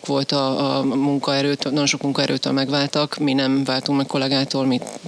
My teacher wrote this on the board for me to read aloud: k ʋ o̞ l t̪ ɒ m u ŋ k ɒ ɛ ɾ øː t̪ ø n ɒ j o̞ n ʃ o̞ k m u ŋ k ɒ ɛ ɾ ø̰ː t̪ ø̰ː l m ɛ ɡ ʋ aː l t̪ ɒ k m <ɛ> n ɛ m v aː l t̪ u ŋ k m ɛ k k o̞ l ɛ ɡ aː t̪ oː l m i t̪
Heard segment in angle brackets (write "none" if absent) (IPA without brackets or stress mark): i